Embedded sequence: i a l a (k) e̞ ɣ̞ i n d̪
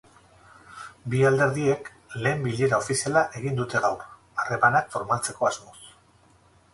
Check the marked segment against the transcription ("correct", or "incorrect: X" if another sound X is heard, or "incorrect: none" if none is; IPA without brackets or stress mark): incorrect: ʔ